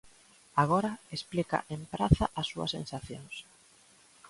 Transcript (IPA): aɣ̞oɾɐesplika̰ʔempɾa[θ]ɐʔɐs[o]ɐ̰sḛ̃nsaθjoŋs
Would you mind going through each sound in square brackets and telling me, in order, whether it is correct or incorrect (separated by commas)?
correct, incorrect